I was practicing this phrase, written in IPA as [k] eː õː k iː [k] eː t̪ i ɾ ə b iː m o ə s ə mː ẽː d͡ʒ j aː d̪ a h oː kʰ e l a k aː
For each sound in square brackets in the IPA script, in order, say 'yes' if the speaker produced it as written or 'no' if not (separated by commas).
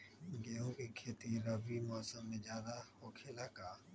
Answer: no, no